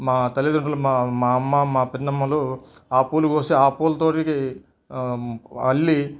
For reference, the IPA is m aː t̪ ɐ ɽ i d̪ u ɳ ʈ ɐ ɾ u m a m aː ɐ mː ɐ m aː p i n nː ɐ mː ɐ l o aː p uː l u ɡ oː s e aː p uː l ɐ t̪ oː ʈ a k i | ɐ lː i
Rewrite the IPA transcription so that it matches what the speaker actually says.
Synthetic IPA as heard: m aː t̪ ɐ l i d̪ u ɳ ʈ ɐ l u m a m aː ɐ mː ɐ m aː p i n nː ɐ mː ɐ l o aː p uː l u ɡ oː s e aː p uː l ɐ t̪ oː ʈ i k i | ɐ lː i